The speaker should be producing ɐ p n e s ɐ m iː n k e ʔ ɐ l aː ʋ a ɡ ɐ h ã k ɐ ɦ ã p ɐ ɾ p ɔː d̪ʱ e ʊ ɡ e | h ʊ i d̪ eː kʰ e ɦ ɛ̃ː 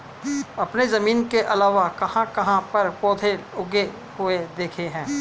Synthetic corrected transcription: ɐ p n e z ɐ m iː n k e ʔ ɐ l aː ʋ a k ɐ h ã k ɐ ɦ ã p ɐ ɾ p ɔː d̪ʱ e ʊ ɡ e | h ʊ e d̪ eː kʰ e ɦ ɛ̃ː